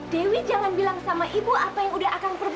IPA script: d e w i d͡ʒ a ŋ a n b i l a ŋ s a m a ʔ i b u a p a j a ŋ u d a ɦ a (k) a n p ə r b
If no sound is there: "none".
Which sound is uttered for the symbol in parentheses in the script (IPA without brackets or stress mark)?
k